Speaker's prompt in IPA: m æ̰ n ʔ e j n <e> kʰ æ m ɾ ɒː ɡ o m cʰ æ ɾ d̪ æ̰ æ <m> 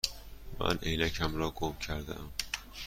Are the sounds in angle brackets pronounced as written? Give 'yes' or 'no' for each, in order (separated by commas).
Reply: no, yes